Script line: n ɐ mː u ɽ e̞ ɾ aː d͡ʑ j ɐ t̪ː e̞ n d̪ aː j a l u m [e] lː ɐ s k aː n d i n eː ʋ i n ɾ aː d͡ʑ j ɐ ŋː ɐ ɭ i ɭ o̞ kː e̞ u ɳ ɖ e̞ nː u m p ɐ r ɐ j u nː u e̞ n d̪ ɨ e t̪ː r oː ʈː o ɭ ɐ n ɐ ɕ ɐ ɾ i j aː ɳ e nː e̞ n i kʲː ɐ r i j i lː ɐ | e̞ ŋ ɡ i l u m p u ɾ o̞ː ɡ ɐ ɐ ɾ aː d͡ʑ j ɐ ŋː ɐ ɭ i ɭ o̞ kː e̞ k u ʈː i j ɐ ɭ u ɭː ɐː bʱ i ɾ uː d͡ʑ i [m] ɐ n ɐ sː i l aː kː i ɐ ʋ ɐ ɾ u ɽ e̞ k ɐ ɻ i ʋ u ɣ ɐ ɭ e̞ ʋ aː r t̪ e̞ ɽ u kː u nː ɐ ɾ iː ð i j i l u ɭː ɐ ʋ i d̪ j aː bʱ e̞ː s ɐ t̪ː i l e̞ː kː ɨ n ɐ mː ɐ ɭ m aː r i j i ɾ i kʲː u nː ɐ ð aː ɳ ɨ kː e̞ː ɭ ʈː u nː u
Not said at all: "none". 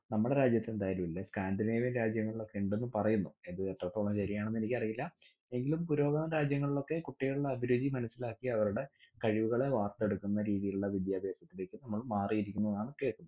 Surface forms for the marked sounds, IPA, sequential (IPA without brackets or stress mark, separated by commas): i, m